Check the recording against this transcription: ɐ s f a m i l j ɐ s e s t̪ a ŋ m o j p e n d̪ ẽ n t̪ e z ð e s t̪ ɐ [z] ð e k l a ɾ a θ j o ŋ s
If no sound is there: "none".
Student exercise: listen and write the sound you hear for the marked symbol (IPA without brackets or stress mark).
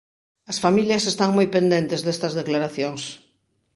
z